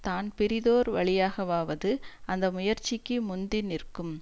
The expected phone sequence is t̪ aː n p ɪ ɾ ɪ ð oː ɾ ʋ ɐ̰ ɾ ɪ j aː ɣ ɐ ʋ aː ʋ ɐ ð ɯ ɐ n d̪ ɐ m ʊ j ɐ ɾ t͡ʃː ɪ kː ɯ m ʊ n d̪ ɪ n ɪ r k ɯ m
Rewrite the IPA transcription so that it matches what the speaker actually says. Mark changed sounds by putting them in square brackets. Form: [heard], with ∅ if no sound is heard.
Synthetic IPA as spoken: t̪ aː n p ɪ ɾ ɪ ð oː ɾ ʋ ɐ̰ [ɭ] ɪ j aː ɣ ɐ ʋ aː ʋ ɐ ð ɯ ɐ n d̪ ɐ m ʊ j ɐ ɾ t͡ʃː ɪ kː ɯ m ʊ n d̪ ɪ n ɪ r k ɯ m